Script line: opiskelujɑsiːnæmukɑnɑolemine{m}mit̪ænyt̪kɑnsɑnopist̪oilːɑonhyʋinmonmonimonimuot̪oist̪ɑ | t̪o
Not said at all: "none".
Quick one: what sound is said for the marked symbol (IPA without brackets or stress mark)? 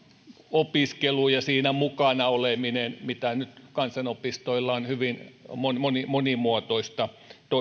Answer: n